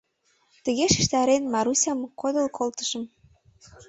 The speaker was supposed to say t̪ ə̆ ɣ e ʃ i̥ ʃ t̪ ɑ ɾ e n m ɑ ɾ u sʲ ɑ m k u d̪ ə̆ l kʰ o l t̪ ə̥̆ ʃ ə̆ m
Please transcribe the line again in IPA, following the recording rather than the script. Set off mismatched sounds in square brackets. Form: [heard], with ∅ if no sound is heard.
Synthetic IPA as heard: t̪ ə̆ ɣ e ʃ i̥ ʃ t̪ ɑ ɾ e n m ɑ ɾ u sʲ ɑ m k [o] d̪ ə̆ l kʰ o l t̪ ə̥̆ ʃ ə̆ m